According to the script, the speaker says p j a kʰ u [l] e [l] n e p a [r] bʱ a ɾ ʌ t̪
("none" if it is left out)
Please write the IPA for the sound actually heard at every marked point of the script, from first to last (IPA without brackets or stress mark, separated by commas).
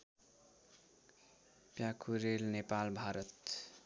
ɾ, l, l